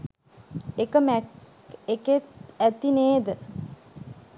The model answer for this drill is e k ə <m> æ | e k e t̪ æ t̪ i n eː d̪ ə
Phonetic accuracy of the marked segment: correct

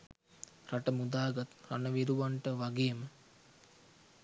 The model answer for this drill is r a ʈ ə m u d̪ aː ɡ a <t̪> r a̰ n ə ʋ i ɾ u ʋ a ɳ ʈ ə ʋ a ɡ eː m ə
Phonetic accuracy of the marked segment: correct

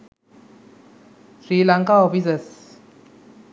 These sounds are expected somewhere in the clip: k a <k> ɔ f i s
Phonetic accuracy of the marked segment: incorrect: none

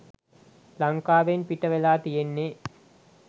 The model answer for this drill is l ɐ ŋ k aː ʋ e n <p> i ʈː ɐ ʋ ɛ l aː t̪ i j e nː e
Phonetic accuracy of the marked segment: correct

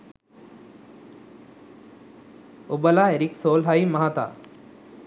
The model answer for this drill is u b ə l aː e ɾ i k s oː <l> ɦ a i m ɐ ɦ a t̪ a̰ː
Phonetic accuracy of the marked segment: correct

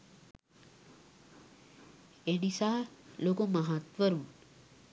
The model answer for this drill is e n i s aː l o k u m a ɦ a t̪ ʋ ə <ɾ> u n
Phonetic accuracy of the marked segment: correct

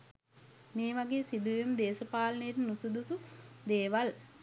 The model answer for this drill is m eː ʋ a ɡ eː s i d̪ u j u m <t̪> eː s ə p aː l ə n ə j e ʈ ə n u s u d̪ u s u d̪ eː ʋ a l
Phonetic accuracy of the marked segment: incorrect: d̪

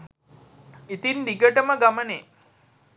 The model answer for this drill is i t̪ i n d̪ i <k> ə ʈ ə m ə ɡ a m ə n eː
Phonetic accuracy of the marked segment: incorrect: ɡ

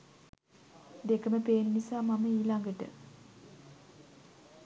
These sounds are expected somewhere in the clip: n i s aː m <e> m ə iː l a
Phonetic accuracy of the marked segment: incorrect: a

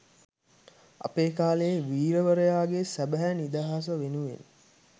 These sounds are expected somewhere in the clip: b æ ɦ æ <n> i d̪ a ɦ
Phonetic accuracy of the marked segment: correct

